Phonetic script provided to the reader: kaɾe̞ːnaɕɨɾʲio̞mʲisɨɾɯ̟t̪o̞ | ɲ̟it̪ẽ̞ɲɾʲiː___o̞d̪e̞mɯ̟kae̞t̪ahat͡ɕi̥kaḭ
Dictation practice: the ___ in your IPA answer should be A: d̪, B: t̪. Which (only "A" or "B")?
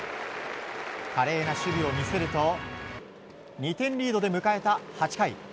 A